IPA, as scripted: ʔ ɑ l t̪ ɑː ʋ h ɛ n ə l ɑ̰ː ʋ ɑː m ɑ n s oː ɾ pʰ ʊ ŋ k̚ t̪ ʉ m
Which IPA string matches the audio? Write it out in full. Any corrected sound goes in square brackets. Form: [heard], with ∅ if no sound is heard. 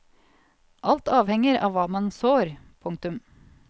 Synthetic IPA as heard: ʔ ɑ l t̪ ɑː ʋ h ɛ [ŋ] ə [ɾ] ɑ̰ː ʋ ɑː m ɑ n s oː ɾ pʰ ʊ ŋ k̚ t̪ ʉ m